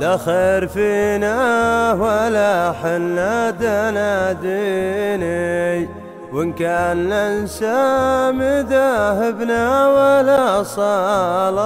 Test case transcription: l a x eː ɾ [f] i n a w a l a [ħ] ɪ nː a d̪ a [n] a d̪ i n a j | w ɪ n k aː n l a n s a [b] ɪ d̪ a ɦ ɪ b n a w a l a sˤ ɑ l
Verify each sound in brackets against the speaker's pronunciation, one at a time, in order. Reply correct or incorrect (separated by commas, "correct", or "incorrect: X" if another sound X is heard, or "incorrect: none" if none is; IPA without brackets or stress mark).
correct, correct, correct, incorrect: m